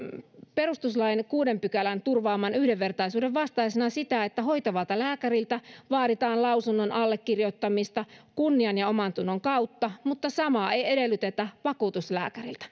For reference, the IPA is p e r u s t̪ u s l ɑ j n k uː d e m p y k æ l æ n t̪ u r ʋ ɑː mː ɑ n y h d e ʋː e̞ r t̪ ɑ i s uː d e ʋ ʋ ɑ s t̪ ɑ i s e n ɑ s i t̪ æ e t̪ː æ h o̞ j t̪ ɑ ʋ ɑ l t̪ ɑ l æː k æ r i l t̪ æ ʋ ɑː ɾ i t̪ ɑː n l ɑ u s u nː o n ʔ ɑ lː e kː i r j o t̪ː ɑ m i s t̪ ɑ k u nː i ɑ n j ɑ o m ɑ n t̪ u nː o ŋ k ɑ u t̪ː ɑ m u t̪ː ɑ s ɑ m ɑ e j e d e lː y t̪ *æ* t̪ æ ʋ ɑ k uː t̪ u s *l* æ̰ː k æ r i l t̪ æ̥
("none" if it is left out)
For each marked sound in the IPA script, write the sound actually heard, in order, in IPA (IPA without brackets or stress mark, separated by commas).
e, l